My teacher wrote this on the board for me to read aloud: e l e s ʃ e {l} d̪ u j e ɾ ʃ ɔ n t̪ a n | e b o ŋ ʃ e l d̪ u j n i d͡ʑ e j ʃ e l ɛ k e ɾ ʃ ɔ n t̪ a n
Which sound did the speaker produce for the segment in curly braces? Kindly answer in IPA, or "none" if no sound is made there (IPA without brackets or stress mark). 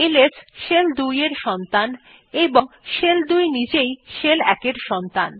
l